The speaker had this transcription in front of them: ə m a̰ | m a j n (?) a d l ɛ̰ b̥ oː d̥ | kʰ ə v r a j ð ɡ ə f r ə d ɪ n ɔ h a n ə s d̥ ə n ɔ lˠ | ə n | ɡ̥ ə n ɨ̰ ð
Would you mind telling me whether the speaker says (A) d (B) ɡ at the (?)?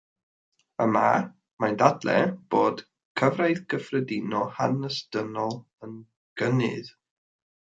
A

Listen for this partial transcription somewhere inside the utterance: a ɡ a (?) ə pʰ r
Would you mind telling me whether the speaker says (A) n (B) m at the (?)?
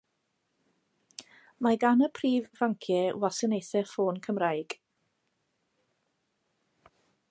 A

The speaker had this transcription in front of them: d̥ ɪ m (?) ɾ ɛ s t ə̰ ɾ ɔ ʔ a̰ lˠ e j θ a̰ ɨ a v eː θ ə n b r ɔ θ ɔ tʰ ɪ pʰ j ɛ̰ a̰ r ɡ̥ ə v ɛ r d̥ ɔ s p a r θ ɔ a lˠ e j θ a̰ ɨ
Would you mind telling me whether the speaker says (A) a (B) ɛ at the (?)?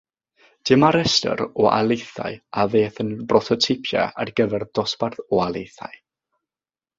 A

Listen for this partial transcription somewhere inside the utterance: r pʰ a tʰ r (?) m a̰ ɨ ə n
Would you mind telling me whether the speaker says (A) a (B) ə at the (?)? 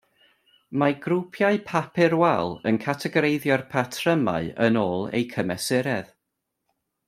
B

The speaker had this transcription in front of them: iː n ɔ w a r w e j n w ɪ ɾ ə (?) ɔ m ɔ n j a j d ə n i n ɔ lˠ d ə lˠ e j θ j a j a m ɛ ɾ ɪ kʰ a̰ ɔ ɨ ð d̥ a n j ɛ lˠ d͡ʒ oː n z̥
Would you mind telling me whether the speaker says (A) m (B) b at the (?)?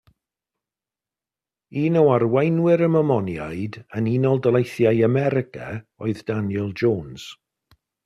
A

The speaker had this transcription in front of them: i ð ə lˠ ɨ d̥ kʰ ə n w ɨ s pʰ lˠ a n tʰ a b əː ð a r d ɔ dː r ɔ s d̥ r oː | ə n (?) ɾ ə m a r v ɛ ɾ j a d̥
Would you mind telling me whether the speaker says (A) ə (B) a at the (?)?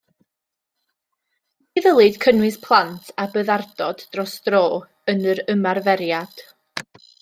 A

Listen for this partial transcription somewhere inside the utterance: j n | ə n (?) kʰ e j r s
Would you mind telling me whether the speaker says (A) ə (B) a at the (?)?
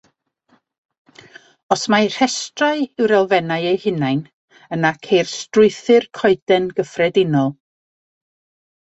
B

